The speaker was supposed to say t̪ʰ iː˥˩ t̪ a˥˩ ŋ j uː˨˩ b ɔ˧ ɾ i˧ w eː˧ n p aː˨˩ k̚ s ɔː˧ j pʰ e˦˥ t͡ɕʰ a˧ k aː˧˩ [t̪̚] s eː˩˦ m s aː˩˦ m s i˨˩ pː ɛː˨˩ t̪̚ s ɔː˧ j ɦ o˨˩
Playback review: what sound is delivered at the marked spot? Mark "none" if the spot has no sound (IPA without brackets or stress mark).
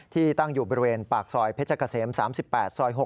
none